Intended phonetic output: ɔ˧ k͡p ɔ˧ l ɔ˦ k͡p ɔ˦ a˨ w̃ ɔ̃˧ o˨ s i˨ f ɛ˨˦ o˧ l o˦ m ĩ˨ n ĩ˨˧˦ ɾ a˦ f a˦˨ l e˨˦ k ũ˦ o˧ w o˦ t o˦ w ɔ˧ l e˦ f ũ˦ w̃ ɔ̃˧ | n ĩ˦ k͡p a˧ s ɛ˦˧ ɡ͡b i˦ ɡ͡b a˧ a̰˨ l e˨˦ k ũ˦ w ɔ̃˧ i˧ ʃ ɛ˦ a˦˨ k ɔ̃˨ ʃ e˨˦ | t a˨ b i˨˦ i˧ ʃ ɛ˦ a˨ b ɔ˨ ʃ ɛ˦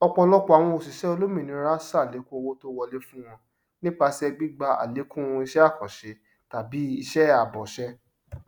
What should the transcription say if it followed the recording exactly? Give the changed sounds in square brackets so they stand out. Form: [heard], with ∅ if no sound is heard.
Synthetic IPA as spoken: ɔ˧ k͡p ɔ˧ l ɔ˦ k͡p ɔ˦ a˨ w̃ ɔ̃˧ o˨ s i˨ [ʃ] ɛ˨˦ o˧ l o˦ m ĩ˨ n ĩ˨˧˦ ɾ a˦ [s] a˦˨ l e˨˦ k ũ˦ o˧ w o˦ t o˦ w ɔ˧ l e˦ f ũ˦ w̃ ɔ̃˧ | n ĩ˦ k͡p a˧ s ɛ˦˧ ɡ͡b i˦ ɡ͡b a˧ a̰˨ l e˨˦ k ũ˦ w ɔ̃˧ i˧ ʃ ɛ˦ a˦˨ k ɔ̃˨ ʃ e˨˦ | t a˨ b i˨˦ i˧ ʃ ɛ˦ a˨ b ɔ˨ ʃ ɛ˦